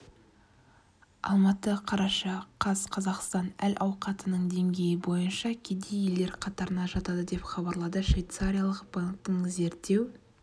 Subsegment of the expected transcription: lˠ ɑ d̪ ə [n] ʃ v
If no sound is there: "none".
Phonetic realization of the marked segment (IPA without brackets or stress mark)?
none